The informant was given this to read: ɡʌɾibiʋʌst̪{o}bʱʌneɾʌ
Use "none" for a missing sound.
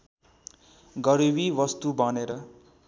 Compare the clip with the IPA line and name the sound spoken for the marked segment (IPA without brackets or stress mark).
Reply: u